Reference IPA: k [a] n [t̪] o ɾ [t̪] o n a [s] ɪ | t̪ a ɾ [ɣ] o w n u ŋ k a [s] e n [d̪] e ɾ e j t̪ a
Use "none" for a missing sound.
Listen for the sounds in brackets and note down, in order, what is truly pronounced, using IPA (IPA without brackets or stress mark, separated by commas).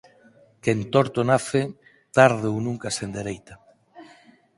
e, t̪, t̪, θ, ð, s, d̪